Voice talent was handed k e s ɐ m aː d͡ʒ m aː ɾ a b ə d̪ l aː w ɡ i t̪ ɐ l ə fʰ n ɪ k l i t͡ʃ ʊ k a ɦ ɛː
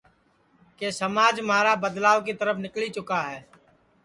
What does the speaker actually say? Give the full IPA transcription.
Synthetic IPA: k e s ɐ m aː d͡ʒ m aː ɾ a b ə d̪ l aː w k i t̪ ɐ ɾ ə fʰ n ɪ k l i t͡ʃ ʊ k a ɦ ɛː

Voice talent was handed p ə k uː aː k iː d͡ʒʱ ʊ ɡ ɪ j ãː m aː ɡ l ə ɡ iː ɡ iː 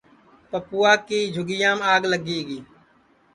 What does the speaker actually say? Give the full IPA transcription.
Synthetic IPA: p ə p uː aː k iː d͡ʒʱ ʊ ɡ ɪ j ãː m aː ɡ l ə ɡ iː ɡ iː

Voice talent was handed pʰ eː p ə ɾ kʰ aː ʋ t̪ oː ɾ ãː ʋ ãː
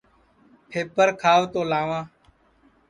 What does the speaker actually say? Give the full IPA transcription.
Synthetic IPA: pʰ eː p ə ɾ kʰ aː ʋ t̪ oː l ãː ʋ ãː

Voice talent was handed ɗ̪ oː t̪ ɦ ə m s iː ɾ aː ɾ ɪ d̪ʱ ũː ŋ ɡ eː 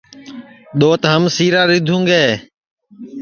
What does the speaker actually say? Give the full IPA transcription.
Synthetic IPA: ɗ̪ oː t̪ ɦ ə m s iː ɾ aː ɾ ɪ d̪ʱ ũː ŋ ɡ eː

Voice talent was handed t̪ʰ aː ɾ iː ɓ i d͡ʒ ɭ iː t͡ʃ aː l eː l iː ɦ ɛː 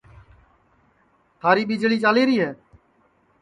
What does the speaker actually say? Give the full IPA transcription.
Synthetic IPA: t̪ʰ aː ɾ iː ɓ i d͡ʒ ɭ iː t͡ʃ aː l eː ɾ iː ɦ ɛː

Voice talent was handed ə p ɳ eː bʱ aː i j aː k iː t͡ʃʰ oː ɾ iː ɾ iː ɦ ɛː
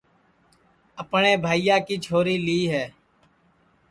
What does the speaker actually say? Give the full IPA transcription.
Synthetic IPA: ə p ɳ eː bʱ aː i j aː k iː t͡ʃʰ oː ɾ iː l iː ɦ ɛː

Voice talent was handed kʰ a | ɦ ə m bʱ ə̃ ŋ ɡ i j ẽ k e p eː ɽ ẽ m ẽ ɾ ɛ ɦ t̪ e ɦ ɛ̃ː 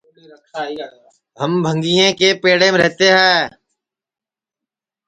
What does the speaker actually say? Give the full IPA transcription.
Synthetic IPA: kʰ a | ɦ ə m bʱ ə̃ ŋ ɡ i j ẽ k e p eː ɽ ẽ m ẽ ɾ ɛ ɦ t̪ e ɦ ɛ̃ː

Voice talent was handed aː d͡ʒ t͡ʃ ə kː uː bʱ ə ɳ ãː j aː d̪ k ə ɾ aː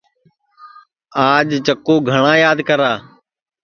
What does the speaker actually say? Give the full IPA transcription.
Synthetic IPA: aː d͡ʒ t͡ʃ ə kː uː ɡʱ ə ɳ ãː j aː d̪ k ə ɾ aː

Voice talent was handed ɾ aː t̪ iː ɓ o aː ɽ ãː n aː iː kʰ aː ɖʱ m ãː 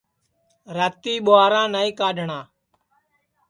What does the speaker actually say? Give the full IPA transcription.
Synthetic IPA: ɾ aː t̪ iː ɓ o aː ɾ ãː n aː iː k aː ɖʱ ɳ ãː

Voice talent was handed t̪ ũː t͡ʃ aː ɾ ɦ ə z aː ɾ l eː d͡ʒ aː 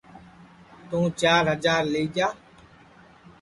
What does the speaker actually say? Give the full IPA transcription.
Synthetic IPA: t̪ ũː t͡ʃ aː ɾ ɦ ə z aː ɾ l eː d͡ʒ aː

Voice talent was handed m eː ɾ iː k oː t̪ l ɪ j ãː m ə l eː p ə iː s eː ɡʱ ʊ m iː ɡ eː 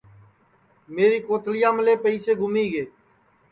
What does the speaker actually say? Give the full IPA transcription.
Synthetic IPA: m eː ɾ iː k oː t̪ l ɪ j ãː m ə l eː p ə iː s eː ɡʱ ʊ m iː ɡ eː

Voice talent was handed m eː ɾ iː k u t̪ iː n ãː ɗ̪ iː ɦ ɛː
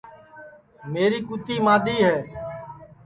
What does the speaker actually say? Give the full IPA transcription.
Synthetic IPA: m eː ɾ iː k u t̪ iː m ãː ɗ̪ iː ɦ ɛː

